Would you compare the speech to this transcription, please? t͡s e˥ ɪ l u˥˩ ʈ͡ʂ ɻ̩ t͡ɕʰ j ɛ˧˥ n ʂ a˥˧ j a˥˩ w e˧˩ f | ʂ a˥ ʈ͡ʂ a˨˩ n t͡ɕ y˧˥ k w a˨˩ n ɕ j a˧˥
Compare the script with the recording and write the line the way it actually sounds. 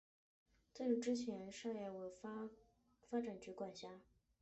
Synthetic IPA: t͡s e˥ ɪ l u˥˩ ʈ͡ʂ ɻ̩ t͡ɕʰ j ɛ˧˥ n ʂ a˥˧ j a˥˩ w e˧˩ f | f a˥ ʈ͡ʂ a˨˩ n t͡ɕ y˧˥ k w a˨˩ n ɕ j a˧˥